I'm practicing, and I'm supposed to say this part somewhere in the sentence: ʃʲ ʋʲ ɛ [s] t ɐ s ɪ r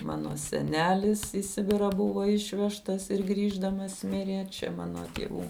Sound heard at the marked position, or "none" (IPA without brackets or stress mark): ʃ